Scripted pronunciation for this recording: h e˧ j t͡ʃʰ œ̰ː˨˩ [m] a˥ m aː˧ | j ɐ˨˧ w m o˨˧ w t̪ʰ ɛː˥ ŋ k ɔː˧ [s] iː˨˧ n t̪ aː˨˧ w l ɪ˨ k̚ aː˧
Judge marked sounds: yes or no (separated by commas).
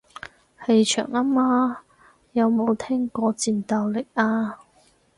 no, no